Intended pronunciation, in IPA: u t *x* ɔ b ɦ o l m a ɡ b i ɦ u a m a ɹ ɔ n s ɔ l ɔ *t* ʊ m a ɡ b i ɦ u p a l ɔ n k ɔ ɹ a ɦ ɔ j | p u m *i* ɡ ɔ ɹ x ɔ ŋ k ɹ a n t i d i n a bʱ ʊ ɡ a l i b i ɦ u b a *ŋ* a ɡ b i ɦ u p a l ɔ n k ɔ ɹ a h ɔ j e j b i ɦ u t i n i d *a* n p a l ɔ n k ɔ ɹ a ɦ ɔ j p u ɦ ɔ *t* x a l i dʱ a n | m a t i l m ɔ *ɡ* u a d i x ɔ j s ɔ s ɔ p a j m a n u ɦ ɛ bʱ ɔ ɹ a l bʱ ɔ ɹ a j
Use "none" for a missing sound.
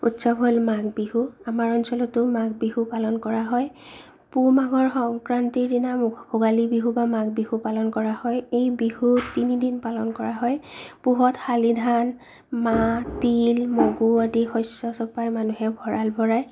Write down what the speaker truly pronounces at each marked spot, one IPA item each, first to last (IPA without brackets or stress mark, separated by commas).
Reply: s, t, a, m, i, t, ɡ